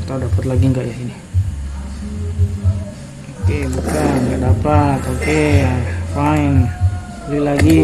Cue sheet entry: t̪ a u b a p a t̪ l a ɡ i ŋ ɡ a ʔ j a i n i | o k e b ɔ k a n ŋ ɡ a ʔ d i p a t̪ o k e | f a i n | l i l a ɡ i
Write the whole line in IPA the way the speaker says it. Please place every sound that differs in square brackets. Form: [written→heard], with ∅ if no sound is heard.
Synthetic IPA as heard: t̪ a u [b→d] a p a t̪ l a ɡ i ŋ ɡ a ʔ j a i n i | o k e b [ɔ→u] k a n ŋ ɡ a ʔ d [i→a] p a t̪ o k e | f a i n | l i l a ɡ i

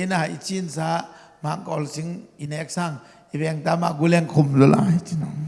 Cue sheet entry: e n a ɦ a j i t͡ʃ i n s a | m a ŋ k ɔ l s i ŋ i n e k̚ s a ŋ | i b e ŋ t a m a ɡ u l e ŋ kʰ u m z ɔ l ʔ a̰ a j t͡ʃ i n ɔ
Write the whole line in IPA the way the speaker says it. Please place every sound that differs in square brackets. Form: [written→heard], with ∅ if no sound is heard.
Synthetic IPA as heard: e n a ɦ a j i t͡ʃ i n s a | m a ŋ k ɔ l s i ŋ i n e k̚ s a ŋ | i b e ŋ t a m a ɡ u l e ŋ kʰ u m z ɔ l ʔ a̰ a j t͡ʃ i n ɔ

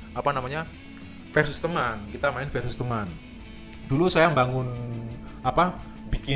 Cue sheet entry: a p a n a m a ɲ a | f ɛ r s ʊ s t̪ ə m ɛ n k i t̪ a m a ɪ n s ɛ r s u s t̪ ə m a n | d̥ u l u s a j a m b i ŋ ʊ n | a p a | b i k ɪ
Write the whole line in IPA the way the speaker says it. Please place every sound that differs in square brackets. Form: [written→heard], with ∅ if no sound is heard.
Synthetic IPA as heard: a p a n a m a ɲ a | f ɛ r s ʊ s t̪ ə m [ɛ→a] n k i t̪ a m a ɪ n [s→f] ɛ r s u s t̪ ə m a n | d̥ u l u s a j a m b [i→a] ŋ ʊ n | a p a | b i k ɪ

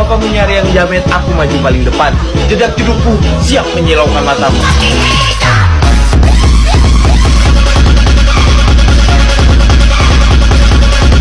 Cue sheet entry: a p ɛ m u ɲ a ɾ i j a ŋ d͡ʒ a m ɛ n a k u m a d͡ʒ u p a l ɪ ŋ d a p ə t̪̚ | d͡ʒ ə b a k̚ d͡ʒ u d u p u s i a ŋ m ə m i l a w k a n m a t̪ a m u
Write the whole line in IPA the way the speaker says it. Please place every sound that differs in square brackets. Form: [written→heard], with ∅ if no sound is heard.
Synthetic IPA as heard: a p [ɛ→a] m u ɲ a ɾ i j a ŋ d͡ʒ a m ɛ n a k u m a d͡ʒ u p a l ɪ ŋ d [a→ə] p [ə→a] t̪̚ | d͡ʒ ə [b→d] a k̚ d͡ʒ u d u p u s i a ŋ m ə [m→ɲ] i l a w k a n m a t̪ a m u

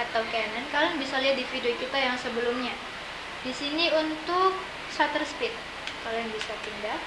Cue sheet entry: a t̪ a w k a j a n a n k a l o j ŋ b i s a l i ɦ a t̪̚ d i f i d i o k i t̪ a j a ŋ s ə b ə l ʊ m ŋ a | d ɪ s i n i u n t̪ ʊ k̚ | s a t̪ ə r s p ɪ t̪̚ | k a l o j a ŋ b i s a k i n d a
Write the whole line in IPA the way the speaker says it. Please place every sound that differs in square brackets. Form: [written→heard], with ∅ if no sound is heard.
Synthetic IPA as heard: a t̪ a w k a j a n a n k a l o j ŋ b i s a l i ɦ a t̪̚ d i f i d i o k i t̪ a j a ŋ s ə b ə l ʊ m [ŋ→ɲ] a | d [ɪ→i] s i n i u n t̪ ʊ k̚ | s a t̪ ə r s p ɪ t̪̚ | k a l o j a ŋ b i s a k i n d a

